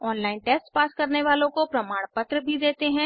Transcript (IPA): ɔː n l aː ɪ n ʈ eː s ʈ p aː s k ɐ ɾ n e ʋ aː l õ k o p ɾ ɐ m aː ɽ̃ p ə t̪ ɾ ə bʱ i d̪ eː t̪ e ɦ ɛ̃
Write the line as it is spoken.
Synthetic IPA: ɔː n l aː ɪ n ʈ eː s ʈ p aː s k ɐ ɾ n e ʋ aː l õ k o p ɾ ɐ m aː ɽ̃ p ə t̪ ɾ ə bʱ i d̪ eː t̪ e ɦ ɛ̃

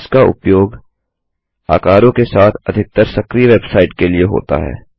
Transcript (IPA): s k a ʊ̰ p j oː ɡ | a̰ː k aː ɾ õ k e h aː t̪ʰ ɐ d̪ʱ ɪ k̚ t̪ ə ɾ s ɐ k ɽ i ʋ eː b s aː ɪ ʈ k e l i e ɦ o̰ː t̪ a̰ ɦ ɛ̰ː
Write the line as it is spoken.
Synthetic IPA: s k a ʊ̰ p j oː ɡ | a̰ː k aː ɾ õ k e s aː t̪ʰ ɐ d̪ʱ ɪ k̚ t̪ ə ɾ s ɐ k ɾ i ʋ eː b s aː ɪ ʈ k e l i e ɦ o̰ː t̪ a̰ ɦ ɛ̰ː

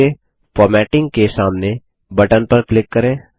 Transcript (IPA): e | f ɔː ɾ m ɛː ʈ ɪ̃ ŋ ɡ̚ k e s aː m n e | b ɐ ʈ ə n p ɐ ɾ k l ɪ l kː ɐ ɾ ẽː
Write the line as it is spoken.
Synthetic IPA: e | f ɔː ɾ m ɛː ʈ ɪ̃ ŋ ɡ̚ k e s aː m n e | b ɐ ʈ ə n p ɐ ɾ k l ɪ kː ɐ ɾ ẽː

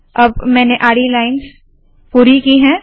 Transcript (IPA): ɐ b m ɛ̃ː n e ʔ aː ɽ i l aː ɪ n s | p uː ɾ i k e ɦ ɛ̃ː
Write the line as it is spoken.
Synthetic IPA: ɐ b m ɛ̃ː n e ʔ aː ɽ i l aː ɪ n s | p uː ɾ i k i ɦ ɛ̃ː

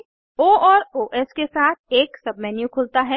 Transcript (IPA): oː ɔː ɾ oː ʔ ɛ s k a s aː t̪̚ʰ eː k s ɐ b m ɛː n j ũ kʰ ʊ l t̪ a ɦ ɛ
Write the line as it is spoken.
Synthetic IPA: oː ɔː ɾ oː ʔ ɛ s k e s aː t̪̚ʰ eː k s ɐ b m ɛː n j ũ kʰ ʊ l t̪ a ɦ ɛ

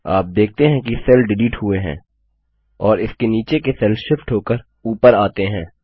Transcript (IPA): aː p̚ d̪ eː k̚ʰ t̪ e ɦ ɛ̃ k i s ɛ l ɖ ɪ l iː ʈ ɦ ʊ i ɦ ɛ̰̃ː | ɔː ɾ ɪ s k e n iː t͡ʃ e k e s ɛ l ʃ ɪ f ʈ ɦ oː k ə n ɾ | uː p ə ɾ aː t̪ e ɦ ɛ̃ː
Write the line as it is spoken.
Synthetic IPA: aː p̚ d̪ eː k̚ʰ t̪ e ɦ ɛ̃ k i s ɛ l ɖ ɪ l iː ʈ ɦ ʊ e ɦ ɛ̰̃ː | ɔː ɾ ɪ s k e n iː t͡ʃ e k e s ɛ l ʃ ɪ f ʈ ɦ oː k ə ɾ | uː p ə ɾ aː t̪ e ɦ ɛ̃ː

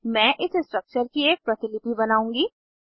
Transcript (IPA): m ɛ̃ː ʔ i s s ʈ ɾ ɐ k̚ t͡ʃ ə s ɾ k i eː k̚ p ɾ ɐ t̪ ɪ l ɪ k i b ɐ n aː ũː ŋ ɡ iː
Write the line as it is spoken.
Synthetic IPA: m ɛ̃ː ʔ ɪ s s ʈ ɾ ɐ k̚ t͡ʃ ə ɾ k i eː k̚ p ɾ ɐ t̪ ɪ l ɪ p i b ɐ n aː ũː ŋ ɡ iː

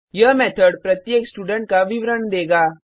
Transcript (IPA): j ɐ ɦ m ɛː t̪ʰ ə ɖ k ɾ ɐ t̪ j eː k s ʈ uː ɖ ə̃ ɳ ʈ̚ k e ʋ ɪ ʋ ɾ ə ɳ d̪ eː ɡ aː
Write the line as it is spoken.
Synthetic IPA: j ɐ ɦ m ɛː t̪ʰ ə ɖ p ɾ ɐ t̪ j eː k s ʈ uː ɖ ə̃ ɳ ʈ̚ k a ʋ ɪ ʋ ɾ ə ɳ d̪ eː ɡ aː

